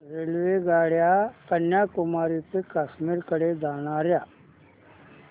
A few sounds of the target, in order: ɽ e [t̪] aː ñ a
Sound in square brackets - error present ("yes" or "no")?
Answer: yes